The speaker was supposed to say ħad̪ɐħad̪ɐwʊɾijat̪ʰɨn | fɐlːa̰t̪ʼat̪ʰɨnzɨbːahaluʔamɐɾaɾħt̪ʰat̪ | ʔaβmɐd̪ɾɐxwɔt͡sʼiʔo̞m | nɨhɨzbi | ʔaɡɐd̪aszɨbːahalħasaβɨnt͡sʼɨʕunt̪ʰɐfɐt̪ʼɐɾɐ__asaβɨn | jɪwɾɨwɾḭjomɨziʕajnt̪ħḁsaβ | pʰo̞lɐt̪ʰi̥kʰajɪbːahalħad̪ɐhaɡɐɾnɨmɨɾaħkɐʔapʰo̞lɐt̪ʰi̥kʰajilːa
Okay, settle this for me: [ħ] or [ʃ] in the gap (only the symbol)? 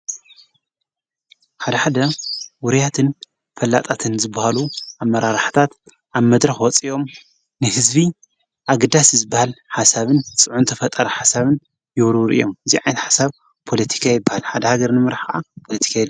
ħ